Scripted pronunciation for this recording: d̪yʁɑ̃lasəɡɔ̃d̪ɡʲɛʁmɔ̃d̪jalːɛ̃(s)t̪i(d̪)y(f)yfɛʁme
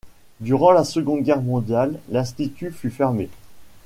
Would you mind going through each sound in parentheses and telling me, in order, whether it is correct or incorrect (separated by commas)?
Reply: correct, incorrect, correct